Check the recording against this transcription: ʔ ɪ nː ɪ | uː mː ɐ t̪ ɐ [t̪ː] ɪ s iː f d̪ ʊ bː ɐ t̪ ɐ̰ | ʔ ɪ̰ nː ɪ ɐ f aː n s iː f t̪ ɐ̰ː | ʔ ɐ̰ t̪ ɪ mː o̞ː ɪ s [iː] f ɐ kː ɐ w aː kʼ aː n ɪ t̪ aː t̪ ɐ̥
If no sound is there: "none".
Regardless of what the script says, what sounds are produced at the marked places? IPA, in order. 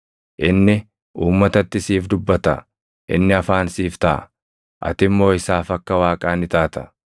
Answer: t̪ː, aː

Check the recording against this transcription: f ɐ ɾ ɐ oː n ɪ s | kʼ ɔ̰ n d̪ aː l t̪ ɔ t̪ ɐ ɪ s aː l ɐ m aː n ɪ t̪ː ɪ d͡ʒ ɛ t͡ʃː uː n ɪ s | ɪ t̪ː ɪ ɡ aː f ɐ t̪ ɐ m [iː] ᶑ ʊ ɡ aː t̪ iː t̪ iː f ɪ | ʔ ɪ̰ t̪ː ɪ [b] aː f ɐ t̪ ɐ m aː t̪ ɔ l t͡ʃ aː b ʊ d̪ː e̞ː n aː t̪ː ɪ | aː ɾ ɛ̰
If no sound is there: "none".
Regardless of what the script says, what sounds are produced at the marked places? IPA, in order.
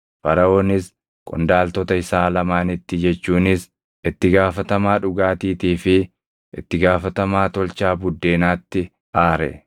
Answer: aː, ɡ

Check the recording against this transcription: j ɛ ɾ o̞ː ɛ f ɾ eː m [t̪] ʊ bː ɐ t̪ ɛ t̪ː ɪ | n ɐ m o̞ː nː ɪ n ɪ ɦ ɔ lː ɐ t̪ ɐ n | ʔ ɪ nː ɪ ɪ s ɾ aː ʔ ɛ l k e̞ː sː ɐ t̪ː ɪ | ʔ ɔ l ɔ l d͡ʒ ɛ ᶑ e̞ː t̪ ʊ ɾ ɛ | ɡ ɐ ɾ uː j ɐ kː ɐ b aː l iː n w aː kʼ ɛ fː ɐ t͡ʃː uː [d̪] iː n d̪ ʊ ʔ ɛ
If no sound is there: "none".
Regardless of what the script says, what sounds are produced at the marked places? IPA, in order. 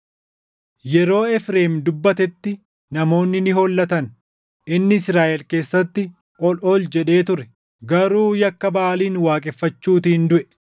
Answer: d̪, t̪

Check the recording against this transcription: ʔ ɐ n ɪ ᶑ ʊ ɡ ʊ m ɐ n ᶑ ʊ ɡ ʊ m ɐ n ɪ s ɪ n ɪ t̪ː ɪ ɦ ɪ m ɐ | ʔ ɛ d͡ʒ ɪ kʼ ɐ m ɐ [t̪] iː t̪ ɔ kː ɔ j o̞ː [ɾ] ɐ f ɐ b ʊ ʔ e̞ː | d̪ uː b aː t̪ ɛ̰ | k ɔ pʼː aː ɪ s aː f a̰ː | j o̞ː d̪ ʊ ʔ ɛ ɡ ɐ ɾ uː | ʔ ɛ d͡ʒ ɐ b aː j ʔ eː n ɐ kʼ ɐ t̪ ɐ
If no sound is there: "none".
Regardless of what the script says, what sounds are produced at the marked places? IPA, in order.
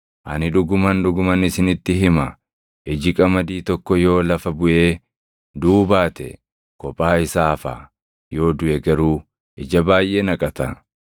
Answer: d̪, l

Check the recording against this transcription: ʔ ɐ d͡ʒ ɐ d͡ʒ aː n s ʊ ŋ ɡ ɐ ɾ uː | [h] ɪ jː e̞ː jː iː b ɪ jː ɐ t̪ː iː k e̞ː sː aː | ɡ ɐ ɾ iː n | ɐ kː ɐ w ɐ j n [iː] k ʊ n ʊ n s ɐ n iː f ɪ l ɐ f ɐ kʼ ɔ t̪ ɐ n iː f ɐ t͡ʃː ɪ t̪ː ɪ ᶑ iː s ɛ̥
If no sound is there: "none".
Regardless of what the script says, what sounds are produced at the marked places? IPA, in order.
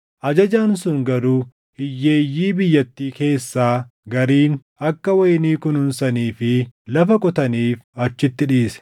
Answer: h, iː

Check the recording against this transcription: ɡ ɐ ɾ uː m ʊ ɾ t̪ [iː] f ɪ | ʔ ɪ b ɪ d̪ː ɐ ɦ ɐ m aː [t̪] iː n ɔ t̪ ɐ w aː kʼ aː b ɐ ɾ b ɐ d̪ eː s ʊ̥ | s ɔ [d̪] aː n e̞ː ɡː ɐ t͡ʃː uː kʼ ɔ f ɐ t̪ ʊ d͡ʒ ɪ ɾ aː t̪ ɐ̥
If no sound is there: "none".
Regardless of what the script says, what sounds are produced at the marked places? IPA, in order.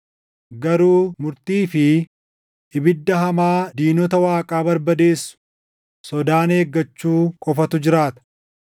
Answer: iː, d̪, d̪

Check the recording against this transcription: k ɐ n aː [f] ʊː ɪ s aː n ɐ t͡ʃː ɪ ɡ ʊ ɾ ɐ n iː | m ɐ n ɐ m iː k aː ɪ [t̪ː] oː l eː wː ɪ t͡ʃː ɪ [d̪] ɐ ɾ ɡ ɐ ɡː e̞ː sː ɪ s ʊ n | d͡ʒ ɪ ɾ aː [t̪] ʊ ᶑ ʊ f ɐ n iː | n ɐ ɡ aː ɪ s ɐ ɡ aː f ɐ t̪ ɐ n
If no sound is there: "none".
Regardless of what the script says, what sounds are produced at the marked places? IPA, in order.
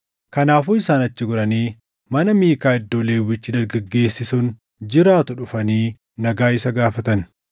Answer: f, d̪ː, d̪, t̪

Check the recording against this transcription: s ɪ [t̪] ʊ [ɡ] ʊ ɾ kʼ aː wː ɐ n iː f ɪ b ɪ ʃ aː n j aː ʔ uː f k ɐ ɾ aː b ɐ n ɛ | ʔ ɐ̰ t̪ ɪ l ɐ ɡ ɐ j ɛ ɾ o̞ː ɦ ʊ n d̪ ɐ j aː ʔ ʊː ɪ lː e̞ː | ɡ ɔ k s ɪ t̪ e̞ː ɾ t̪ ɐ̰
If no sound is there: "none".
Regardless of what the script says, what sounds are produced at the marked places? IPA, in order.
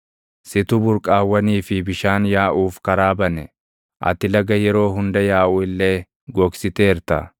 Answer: t̪, b

